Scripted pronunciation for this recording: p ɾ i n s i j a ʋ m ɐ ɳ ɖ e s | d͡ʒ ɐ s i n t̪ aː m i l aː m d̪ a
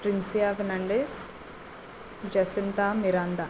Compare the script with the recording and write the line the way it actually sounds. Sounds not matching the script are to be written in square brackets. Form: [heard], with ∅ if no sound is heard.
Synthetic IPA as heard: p ɾ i n s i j a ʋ [n] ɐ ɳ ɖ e s | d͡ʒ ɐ s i n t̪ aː m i [ɾ] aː [n] d̪ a